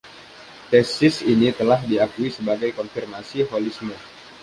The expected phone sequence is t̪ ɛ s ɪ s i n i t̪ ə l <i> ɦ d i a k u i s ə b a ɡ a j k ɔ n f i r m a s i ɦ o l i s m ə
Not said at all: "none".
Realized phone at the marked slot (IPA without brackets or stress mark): a